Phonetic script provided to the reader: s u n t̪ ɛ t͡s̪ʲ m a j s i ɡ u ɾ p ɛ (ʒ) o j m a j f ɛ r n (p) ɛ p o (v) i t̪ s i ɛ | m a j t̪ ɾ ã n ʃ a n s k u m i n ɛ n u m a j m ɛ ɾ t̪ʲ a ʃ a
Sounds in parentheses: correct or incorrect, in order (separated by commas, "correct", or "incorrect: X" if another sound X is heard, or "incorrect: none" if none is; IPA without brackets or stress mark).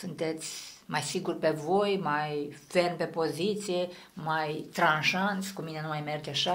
incorrect: v, correct, incorrect: z